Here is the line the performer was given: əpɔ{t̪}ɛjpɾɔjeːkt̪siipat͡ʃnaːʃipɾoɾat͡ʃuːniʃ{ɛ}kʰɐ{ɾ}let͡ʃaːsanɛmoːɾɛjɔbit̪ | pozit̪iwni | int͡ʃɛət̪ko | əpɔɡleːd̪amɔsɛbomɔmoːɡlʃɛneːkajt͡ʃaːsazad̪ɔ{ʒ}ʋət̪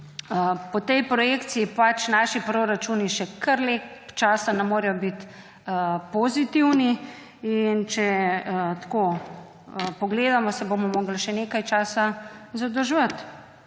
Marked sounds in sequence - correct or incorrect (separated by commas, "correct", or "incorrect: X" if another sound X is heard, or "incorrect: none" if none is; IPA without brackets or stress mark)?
correct, correct, correct, correct